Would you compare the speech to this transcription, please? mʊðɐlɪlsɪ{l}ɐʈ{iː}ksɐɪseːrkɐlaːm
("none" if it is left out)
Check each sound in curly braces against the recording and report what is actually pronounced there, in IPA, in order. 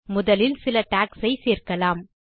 l, aː

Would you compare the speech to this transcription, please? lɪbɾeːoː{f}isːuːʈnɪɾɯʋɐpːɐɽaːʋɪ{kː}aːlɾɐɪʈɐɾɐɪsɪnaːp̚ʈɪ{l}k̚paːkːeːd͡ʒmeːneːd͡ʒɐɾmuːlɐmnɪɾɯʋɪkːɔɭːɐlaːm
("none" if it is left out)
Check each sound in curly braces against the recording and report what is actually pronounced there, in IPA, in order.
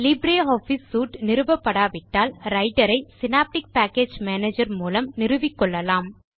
f, ʈː, none

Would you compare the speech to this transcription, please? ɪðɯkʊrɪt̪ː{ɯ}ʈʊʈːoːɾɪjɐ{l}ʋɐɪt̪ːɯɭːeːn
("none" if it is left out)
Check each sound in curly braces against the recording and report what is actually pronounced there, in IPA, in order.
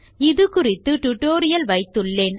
ɯ, l

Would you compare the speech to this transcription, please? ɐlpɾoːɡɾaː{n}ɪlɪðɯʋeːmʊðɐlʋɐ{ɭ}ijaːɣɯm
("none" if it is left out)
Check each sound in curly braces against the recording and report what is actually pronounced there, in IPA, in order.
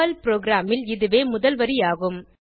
m, ɾ

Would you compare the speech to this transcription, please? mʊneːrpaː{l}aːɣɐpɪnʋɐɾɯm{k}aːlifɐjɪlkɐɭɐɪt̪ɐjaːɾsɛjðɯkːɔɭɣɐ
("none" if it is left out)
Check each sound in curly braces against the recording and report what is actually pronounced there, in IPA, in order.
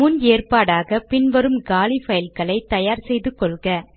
ɽ, ɡ

